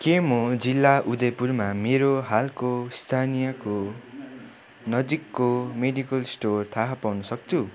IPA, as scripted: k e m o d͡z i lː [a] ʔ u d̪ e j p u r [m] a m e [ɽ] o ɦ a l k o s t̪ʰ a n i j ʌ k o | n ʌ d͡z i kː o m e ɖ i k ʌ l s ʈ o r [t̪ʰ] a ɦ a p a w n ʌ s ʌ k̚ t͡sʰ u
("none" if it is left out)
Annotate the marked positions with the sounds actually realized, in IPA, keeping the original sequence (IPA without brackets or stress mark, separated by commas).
a, m, ɾ, t̪ʰ